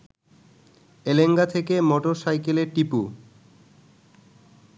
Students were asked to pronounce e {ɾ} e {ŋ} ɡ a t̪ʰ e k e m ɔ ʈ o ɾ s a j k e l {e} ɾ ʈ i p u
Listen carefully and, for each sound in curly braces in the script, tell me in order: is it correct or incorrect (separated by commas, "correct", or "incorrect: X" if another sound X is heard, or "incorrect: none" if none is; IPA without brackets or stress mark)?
incorrect: l, correct, correct